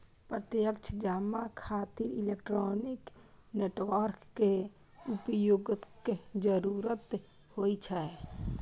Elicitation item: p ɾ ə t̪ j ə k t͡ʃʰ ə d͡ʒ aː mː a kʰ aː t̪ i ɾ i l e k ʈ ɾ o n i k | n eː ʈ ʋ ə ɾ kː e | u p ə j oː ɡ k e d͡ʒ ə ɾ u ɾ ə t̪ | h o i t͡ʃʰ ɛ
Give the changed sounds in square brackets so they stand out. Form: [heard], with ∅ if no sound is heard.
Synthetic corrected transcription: p ɾ ə t̪ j ə k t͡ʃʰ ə d͡ʒ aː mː a kʰ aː t̪ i ɾ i l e k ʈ ɾ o n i k | n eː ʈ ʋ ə ɾ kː e | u p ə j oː ɡ k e d͡ʒ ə ɾ u ɾ ə t̪ | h o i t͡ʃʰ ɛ